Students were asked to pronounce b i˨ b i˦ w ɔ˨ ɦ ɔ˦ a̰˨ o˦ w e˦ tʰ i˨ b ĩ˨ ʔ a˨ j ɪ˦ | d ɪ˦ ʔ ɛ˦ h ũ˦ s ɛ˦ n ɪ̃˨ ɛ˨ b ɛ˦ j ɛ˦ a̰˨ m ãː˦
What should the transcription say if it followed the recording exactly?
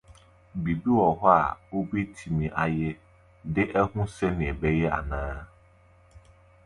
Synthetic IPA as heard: b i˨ b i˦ w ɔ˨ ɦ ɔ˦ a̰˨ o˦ b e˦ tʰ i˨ m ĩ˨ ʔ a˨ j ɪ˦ | d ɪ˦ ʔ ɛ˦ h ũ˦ s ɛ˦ n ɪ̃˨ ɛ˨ b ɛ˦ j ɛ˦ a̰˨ n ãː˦